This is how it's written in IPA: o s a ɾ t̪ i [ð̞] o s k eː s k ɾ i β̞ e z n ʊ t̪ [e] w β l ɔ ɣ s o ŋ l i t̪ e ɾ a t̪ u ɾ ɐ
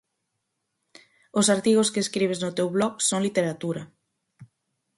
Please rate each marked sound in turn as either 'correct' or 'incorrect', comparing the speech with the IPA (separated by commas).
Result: incorrect, correct